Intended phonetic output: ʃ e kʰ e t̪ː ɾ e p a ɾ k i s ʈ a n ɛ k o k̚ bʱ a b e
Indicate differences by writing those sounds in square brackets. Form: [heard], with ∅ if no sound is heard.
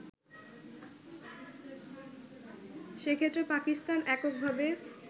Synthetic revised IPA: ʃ e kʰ e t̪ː ɾ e p a [∅] k i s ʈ a n ɛ k o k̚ bʱ a b e

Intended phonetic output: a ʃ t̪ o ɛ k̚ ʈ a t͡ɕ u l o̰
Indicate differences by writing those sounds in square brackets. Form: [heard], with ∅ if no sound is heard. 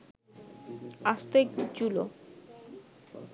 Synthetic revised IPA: a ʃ t̪ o [e] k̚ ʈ [i] t͡ɕ u l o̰

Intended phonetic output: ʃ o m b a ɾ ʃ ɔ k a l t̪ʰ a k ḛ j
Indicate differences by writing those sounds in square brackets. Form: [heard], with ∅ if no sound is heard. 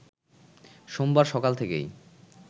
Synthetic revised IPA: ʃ o m b a ɾ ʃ ɔ k a l t̪ʰ [e] k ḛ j

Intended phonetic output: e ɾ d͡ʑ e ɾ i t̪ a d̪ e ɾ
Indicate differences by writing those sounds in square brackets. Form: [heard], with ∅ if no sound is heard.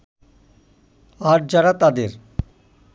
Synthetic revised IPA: [a] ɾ d͡ʑ [a] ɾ [a] t̪ a d̪ e ɾ

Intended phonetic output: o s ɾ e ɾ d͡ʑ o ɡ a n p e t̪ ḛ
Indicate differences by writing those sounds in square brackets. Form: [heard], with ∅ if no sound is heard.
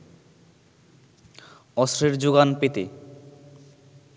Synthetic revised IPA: [ɔ] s ɾ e ɾ d͡ʑ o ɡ a n p e t̪ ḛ

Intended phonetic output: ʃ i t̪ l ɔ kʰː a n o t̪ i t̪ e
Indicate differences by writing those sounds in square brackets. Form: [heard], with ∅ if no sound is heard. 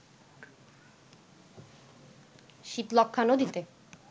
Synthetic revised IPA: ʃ i t̪ l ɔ kʰː a n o [d̪] i t̪ e

